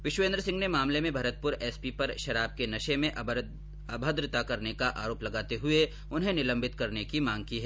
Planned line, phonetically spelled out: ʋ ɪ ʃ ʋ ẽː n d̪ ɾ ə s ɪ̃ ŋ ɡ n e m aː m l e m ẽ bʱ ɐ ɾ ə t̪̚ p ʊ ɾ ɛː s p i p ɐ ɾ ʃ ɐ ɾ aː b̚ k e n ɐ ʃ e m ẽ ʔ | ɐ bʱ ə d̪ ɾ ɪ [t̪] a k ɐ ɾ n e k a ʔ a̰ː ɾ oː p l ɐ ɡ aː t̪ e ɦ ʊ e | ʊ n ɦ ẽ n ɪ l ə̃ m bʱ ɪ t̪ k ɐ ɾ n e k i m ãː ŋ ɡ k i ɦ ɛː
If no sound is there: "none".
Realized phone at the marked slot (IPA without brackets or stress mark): t̪